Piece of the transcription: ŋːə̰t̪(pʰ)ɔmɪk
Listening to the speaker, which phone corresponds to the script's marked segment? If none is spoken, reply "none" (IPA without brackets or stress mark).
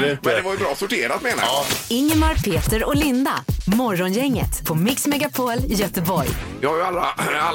pʰ